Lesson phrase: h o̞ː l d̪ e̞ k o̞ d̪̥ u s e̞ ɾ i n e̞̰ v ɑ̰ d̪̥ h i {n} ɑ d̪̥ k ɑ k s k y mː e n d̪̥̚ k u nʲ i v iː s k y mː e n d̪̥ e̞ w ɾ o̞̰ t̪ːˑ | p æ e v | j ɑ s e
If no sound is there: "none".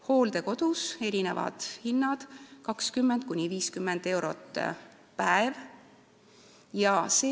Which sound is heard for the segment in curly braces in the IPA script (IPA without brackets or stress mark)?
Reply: nː